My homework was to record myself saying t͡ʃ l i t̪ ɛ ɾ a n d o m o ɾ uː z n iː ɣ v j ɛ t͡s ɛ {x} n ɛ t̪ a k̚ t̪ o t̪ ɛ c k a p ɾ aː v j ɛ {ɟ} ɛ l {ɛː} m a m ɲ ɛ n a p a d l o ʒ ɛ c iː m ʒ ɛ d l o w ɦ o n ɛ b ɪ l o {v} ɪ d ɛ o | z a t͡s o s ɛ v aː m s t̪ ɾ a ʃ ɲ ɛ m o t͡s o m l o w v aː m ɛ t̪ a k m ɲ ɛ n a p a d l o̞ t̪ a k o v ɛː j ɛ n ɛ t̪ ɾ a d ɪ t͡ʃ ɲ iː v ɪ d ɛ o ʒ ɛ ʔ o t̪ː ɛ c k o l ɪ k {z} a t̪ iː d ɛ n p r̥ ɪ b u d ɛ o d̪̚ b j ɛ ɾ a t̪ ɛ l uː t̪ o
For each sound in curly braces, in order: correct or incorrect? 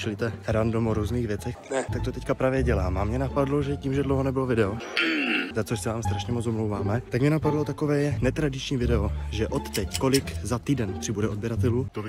correct, correct, incorrect: aː, correct, correct

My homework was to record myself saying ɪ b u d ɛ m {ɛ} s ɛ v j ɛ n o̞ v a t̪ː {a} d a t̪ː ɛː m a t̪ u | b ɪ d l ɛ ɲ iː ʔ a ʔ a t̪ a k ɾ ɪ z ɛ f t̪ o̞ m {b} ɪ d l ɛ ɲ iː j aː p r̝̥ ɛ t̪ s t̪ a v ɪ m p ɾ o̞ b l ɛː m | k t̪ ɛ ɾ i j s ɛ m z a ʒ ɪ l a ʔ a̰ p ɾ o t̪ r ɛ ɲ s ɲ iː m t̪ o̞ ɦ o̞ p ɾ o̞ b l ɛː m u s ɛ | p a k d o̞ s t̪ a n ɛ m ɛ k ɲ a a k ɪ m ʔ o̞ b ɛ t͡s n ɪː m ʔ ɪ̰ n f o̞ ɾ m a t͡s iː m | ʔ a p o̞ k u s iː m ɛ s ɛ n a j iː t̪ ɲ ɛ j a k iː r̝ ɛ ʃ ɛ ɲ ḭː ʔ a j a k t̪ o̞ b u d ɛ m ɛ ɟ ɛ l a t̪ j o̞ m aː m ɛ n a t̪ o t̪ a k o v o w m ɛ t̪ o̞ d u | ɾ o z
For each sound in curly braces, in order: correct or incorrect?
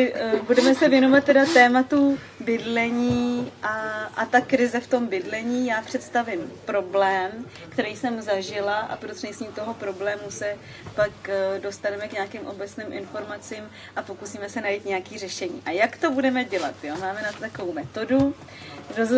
correct, incorrect: ɛ, correct

